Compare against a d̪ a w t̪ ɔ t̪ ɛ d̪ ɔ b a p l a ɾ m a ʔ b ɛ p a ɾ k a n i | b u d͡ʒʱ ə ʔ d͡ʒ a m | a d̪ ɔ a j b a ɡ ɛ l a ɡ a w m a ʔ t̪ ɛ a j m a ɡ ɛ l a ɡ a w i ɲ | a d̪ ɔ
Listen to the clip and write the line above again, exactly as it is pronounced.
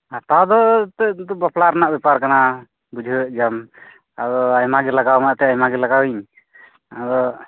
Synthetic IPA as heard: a t̪ a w d̪ ɔ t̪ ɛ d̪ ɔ b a p l a ɾ n a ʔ b ɛ p a ɾ k a n a | b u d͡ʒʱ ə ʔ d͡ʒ a m | a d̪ ɔ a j m a ɡ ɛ l a ɡ a w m a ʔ t̪ ɛ a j m a ɡ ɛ l a ɡ a w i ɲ | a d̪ ɔ

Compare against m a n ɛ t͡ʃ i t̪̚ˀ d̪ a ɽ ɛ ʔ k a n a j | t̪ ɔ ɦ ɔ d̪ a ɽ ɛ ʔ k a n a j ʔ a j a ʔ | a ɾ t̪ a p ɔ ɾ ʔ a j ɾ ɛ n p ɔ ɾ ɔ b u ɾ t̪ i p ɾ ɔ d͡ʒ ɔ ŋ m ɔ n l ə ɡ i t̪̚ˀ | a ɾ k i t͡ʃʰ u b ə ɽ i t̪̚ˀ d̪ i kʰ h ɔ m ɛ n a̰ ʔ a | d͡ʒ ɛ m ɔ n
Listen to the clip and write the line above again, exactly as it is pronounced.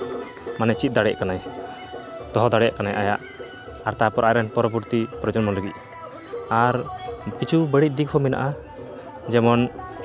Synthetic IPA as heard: m a n ɛ t͡ʃ i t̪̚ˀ d̪ a ɽ ɛ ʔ k a n a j | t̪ ɔ ɦ ɔ d̪ a ɽ ɛ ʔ k a n a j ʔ a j a ʔ | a ɾ t̪ a p ɔ ɾ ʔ a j ɾ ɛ n p ɔ ɾ ɔ b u ɾ t̪ i p ɾ ɔ d͡ʒ ɔ n m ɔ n l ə ɡ i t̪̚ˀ | a ɾ k i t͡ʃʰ u b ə ɽ i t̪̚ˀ d̪ i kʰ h ɔ m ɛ n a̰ ʔ a | d͡ʒ ɛ m ɔ n

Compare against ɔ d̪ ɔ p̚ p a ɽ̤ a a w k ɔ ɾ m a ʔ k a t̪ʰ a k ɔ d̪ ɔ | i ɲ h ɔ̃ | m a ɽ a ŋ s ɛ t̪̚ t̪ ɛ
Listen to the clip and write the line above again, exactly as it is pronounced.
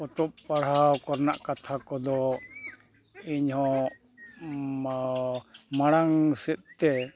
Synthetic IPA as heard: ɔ t̪ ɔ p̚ p a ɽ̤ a a w k ɔ ɾ n a ʔ k a t̪ʰ a k ɔ d̪ ɔ | i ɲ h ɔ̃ | m a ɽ a ŋ s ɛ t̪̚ t̪ ɛ

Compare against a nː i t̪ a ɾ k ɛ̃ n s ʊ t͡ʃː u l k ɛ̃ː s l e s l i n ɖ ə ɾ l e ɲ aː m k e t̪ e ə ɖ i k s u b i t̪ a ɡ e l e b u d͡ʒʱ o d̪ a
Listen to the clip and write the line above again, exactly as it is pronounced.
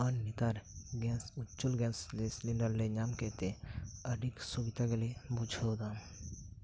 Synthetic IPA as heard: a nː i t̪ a ɾ ɡ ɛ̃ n s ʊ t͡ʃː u l ɡ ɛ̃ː s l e s l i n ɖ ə ɾ l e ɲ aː m k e t̪ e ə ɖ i k s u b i t̪ a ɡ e l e b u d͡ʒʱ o d̪ a

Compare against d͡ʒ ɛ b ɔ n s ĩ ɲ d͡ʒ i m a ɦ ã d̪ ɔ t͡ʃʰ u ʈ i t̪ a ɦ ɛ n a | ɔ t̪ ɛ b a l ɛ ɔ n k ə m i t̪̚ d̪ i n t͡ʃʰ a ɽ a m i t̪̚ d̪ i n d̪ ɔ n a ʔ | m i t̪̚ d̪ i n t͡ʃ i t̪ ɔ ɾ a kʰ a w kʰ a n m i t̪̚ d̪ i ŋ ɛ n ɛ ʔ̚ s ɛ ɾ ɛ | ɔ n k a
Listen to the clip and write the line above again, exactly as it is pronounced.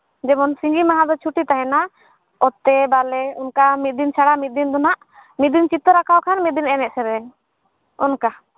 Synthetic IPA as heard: d͡ʒ ɛ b ɔ n s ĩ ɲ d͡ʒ i m a ɦ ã d̪ ɔ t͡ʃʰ u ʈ i t̪ a ɦ ɛ n a | ɔ t̪ ɛ b a l ɛ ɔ n k a m i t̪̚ d̪ i n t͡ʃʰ a ɽ a m i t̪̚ d̪ i n d̪ ɔ n a ʔ | m i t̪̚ d̪ i n t͡ʃ i t̪ ɔ ɾ a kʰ a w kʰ a n m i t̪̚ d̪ i n ɛ n ɛ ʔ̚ s ɛ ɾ ɛ | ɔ n k a

